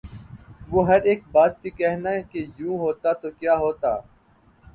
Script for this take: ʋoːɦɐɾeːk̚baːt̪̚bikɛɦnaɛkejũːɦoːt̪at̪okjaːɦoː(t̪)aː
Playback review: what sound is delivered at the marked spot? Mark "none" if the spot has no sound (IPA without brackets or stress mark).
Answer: t̪